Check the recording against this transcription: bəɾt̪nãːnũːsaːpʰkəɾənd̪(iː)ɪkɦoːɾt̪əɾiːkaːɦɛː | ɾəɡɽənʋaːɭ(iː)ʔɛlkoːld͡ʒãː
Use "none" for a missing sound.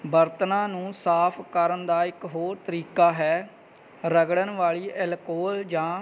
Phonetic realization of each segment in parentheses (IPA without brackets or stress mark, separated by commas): aː, iː